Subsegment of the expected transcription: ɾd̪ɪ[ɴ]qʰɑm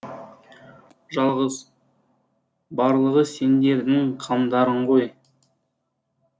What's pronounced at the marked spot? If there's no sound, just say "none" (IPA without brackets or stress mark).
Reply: ŋ